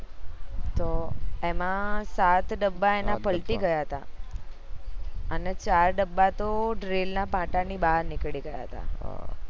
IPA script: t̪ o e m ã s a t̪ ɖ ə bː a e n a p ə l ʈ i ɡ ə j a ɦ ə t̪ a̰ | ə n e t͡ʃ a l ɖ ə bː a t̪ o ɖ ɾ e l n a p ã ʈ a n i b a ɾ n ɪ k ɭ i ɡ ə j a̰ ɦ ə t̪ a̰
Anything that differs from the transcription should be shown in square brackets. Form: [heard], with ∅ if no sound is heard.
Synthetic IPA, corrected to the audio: t̪ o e m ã s a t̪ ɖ ə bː a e n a p ə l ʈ i ɡ ə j a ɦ ə t̪ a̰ | ə n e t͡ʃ a [ɾ] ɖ ə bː a t̪ o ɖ ɾ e l n a p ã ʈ a n i b a ɾ n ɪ k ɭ i ɡ ə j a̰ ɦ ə t̪ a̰